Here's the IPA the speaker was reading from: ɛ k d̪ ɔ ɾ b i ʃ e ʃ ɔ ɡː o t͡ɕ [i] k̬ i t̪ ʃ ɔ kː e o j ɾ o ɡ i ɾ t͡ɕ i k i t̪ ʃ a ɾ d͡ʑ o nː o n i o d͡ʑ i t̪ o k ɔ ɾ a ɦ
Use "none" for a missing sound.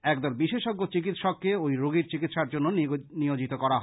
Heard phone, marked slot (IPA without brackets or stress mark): i